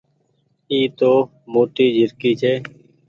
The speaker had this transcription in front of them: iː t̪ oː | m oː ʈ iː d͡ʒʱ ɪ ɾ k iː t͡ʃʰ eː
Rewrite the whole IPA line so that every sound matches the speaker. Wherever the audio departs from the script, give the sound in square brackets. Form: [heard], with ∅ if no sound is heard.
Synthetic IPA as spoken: iː t̪ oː | m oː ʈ iː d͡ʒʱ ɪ ɾ k iː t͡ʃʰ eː